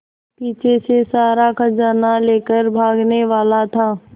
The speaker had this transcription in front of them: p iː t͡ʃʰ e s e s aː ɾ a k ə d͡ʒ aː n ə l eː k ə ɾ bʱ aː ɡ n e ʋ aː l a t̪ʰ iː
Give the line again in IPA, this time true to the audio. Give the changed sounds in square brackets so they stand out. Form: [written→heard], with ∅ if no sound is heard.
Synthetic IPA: p iː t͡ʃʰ e s e s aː ɾ a k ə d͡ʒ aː n [ə→a] l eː k ə ɾ bʱ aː ɡ n e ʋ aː l a t̪ʰ [iː→aː]